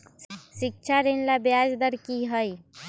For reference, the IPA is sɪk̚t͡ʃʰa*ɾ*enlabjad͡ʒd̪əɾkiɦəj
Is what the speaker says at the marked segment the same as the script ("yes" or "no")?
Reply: yes